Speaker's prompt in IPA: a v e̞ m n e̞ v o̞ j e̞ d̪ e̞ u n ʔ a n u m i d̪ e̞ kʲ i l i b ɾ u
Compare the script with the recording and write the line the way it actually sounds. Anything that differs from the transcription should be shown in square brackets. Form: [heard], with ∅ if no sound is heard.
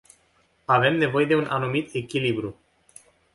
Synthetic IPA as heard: a v e̞ m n e̞ v o̞ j e̞ d̪ e̞ u n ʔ a n u m i [t̪] e̞ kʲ i l i b ɾ u